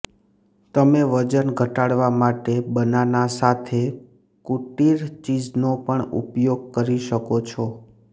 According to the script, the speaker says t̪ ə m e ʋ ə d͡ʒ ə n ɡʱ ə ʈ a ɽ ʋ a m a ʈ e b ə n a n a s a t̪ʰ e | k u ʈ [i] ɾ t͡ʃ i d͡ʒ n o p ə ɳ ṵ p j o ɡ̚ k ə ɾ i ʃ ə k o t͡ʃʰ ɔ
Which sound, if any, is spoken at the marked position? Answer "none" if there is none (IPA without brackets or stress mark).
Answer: i